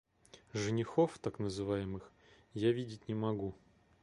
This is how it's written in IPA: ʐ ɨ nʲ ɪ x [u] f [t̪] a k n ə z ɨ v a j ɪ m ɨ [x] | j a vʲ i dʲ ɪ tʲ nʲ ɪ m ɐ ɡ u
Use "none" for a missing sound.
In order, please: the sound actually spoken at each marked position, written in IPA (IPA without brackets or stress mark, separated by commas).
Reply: o, t̪, x